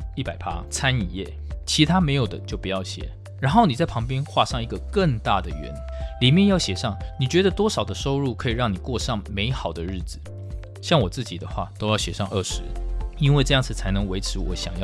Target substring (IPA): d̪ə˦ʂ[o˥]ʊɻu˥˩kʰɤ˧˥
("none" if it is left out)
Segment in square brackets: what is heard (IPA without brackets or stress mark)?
o˥